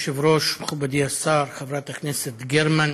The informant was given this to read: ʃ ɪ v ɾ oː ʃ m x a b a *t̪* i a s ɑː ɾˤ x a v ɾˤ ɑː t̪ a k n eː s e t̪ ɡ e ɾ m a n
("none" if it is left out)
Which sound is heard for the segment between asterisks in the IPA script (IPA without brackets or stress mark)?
d̪